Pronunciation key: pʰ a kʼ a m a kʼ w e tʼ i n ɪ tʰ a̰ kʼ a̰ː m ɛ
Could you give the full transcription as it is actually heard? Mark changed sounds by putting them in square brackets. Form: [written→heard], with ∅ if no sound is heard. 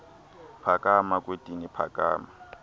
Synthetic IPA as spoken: pʰ a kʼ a m a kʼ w e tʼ i n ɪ [tʰ→pʰ] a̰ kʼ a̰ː m [ɛ→a]